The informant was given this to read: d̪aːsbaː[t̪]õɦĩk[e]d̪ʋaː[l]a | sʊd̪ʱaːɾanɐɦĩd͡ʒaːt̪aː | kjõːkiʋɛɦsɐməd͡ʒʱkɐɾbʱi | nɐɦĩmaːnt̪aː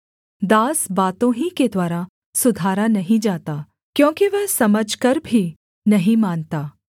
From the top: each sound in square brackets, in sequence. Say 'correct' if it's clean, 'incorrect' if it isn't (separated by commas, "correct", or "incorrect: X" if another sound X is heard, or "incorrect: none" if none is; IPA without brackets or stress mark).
correct, correct, incorrect: ɾ